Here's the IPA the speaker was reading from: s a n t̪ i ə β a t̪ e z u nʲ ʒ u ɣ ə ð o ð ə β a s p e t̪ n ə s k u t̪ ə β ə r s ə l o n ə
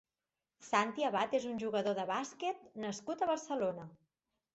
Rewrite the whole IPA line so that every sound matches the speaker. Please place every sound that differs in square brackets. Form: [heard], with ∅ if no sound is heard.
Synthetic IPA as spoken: s a n t̪ i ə β a t̪ e z u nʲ ʒ u ɣ ə ð o ð ə β a s [k] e t̪ n ə s k u t̪ ə β ə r s ə l o n ə